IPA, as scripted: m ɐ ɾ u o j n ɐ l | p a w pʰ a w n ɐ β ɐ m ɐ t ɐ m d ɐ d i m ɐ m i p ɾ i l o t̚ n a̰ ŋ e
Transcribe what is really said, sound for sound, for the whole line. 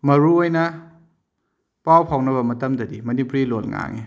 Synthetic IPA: m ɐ ɾ u o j n ɐ | p a w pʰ a w n ɐ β ɐ m ɐ t ɐ m d ɐ d i m ɐ n i p ɾ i l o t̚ ŋ a̰ ŋ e